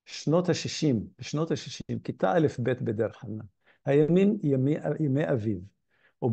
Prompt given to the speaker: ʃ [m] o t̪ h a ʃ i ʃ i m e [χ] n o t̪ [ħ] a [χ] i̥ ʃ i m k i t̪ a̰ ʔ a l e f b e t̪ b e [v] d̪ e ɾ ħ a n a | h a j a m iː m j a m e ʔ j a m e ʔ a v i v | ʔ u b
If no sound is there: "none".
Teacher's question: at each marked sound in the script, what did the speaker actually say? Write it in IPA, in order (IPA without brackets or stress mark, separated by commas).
n, ʃ, h, ʃ, none